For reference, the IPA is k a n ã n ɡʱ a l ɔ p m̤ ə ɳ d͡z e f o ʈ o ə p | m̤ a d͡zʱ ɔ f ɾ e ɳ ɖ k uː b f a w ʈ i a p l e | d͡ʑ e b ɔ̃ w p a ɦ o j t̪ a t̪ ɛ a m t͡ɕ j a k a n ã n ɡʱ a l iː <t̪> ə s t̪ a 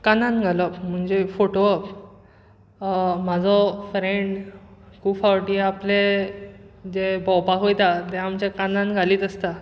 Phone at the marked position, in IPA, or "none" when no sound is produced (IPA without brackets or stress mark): t̪